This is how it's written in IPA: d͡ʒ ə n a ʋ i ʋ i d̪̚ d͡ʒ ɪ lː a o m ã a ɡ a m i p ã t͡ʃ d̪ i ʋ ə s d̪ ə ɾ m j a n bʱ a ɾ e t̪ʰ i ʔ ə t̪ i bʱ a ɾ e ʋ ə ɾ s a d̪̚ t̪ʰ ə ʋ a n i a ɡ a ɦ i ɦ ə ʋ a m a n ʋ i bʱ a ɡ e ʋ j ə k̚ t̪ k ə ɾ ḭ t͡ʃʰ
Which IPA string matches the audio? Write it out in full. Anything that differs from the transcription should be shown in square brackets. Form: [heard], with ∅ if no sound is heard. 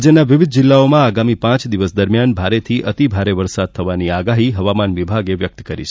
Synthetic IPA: d͡ʒ ə n a ʋ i ʋ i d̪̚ d͡ʒ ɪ lː a o m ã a ɡ a m i p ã t͡ʃ d̪ i ʋ ə s d̪ ə ɾ m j a n bʱ a ɾ e t̪ʰ i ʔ ə t̪ i bʱ a ɾ e ʋ ə ɾ s a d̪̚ t̪ʰ ə ʋ a n i a ɡ a ɦ i ɦ ə ʋ a m a n ʋ i bʱ a ɡ e ʋ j ə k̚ t̪ k ə ɾ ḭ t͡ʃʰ